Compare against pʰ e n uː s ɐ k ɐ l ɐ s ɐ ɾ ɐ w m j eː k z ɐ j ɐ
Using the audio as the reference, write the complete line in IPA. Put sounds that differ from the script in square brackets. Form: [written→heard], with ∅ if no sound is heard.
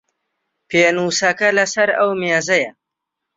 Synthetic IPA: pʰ e n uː s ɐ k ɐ l ɐ s ɐ ɾ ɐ w m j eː [k→∅] z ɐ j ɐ

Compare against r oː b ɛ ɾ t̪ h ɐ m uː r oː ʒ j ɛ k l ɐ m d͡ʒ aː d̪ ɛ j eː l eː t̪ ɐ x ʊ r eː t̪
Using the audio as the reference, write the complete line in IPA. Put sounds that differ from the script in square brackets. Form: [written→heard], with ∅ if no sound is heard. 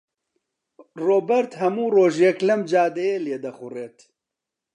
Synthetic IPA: r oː b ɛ ɾ t̪ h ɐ m uː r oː ʒ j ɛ k l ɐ m d͡ʒ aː d̪ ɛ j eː l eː [t̪→d̪] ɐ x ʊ r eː t̪

